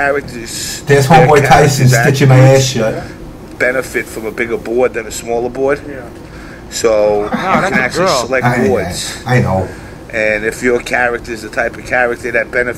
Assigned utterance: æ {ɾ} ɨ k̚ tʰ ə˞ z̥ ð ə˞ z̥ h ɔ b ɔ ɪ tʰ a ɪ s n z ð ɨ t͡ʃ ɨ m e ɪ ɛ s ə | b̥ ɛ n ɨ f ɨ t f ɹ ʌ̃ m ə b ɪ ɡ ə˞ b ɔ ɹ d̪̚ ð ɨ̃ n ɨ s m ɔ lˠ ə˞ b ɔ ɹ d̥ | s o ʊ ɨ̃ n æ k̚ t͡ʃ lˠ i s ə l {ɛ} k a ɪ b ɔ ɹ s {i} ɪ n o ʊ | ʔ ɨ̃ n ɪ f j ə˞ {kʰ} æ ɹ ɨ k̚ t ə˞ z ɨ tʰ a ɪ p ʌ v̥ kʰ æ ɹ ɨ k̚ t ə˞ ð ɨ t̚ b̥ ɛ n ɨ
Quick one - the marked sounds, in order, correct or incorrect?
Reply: incorrect, correct, incorrect, correct

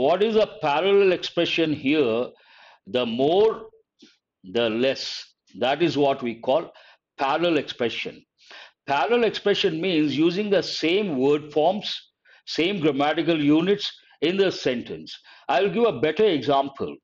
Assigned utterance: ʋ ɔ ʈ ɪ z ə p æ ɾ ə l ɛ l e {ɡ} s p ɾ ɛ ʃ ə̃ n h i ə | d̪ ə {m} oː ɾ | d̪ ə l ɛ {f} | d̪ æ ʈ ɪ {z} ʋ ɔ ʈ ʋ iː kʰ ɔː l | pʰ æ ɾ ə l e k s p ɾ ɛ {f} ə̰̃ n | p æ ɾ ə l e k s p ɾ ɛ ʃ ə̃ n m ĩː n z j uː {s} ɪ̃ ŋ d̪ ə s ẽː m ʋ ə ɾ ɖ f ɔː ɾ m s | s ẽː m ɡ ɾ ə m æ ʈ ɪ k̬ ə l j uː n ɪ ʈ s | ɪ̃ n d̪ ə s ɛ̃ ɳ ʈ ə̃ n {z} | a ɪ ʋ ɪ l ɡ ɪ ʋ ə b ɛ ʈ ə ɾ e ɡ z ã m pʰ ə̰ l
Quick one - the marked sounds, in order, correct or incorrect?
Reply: incorrect, correct, incorrect, correct, incorrect, incorrect, incorrect

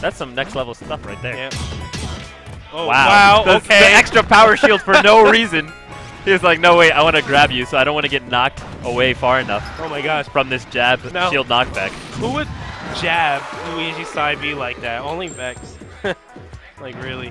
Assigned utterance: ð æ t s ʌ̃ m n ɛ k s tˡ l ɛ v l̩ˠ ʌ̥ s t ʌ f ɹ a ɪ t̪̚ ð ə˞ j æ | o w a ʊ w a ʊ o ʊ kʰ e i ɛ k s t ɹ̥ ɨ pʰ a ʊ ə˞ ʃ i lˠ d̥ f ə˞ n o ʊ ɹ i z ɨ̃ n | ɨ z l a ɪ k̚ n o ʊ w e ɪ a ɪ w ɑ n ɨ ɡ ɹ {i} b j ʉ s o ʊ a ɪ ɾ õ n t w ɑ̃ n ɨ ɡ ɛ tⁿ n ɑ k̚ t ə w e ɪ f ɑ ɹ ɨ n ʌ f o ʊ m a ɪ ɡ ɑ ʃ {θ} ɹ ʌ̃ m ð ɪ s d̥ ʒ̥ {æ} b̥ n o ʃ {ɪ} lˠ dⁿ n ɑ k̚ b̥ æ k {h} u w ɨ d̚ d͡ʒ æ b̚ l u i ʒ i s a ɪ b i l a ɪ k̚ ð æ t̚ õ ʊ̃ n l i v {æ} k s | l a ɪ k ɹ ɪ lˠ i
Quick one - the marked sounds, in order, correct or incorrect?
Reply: incorrect, incorrect, correct, incorrect, correct, incorrect

